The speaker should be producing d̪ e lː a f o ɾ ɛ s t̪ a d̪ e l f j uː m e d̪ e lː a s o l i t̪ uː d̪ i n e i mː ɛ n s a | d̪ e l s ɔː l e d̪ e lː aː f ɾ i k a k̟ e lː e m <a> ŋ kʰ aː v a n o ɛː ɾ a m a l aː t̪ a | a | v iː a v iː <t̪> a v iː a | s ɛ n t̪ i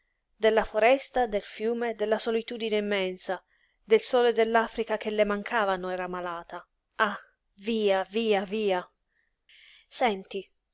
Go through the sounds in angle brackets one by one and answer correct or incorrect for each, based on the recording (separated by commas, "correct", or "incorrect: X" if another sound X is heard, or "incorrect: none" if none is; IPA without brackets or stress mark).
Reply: correct, incorrect: none